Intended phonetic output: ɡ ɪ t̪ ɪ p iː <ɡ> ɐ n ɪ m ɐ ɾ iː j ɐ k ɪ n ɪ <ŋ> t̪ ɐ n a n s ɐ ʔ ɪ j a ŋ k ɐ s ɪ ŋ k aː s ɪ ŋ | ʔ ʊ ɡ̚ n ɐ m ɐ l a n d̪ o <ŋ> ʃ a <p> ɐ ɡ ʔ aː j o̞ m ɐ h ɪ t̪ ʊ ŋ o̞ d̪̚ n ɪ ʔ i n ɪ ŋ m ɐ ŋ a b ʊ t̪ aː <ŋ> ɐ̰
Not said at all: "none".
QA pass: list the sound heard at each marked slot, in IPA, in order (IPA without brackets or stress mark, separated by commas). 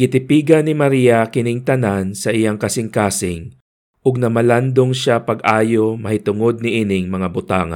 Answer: ɡ, ŋ, ŋ, p, ŋ